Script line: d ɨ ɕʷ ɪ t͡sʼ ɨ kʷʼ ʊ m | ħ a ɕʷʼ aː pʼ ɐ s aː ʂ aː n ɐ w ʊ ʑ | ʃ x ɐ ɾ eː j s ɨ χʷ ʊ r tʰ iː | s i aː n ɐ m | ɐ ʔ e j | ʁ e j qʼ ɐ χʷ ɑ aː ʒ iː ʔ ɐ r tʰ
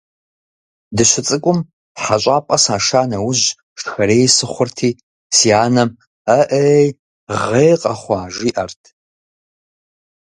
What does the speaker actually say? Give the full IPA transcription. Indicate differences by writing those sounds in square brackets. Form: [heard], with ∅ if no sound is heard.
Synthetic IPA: d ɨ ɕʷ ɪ t͡sʼ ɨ kʷʼ ʊ m | ħ a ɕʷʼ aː pʼ ɐ s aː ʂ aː n ɐ w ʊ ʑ | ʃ x ɐ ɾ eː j s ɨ χʷ ʊ r tʰ iː | s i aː n ɐ m | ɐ ʔ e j | ʁ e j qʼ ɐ χʷ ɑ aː ʒ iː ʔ ɐ r tʰ